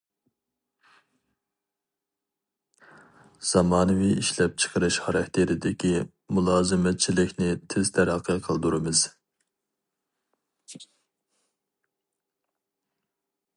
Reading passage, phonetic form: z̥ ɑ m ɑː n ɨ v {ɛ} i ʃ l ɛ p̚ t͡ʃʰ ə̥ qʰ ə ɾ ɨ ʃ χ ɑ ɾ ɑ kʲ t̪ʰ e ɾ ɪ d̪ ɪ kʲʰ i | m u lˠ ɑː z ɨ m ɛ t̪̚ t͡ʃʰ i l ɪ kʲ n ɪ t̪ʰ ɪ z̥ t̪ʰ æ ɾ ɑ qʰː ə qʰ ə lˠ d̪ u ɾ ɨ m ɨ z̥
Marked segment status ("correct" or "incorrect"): incorrect